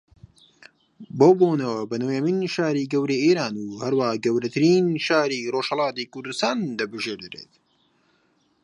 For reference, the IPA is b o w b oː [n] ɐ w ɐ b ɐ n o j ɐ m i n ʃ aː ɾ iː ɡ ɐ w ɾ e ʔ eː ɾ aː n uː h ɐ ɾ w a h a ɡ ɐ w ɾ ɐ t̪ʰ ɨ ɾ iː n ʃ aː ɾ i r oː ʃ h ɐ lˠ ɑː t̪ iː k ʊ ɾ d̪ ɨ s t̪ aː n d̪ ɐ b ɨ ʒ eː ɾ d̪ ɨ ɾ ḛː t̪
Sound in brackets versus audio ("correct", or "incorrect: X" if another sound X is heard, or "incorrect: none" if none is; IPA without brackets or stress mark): correct